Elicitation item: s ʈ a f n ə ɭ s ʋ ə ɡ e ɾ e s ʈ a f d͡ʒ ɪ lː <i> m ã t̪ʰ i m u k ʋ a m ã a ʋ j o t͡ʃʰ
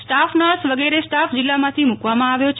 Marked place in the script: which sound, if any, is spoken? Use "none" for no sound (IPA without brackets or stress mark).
a